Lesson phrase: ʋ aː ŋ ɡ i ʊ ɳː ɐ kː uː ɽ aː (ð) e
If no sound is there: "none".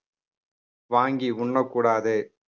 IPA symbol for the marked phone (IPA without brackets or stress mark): ð